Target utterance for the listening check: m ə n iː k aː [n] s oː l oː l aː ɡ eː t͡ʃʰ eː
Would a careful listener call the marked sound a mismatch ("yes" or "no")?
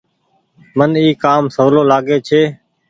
yes